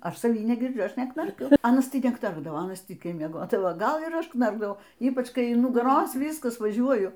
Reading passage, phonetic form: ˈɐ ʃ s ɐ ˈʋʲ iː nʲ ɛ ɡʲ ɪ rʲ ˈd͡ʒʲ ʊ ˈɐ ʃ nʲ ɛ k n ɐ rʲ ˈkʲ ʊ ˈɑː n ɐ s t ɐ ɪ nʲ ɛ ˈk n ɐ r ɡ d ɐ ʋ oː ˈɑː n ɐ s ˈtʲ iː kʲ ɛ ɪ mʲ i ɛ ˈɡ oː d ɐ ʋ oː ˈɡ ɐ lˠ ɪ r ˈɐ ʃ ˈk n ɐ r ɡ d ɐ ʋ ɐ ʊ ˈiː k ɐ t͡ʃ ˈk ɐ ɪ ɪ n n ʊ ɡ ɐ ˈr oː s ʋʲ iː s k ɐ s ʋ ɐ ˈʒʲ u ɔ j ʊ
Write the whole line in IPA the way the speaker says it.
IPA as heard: ˈɐ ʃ s ɐ ˈʋʲ iː nʲ ɛ ɡʲ ɪ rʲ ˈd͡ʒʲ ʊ ˈɐ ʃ nʲ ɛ k n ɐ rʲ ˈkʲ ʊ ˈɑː n ɐ s t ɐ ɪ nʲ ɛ ˈk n ɐ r ɡ d ɐ ʋ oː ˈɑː n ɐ s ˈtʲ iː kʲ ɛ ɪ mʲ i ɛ ˈɡ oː d ɐ ʋ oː ˈɡ ɐ lˠ ɪ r ˈɐ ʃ ˈk n ɐ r ɡ d ɐ ʋ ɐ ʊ ˈiː p ɐ t͡ʃ ˈk ɐ ɪ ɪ n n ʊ ɡ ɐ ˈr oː s ʋʲ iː s k ɐ s ʋ ɐ ˈʒʲ u ɔ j ʊ